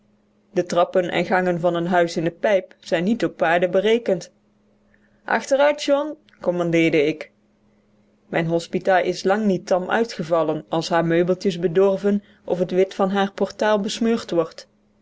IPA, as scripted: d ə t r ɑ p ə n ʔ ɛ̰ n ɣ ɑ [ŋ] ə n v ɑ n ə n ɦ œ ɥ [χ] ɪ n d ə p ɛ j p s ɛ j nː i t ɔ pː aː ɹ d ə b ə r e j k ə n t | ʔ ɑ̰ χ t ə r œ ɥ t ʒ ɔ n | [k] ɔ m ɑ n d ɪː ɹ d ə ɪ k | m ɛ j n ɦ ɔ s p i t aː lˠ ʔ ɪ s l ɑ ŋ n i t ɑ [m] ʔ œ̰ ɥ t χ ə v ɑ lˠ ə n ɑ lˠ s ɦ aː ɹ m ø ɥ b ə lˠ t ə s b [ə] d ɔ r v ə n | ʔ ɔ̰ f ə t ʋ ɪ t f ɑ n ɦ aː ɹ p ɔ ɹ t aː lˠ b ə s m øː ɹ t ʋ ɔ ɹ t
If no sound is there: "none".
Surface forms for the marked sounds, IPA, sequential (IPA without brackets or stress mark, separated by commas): ŋ, s, k, m, ə